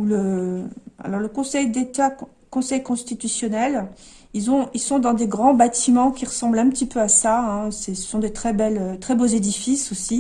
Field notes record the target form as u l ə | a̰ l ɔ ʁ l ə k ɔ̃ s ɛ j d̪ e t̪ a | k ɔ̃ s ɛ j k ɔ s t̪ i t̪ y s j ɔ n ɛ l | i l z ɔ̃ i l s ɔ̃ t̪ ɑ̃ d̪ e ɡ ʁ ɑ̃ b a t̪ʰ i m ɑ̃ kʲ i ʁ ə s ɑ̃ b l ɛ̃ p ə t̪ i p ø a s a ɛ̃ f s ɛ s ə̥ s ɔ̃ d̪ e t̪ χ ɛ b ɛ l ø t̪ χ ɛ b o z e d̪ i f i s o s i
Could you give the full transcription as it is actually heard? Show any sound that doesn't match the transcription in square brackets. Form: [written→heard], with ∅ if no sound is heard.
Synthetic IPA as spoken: u l ə | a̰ l ɔ ʁ l ə k ɔ̃ s ɛ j d̪ e t̪ a | k ɔ̃ s ɛ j k [ɔ→ɔ̃] s t̪ i t̪ y s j ɔ n ɛ l | i l z ɔ̃ i l s ɔ̃ [t̪→d̪] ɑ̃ d̪ e ɡ ʁ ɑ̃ b a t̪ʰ i m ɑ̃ kʲ i ʁ ə s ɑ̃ b l ɛ̃ p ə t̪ i p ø a s a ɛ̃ [f→∅] s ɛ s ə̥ s ɔ̃ d̪ e t̪ χ ɛ b ɛ l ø t̪ χ ɛ b o z e d̪ i f i s o s i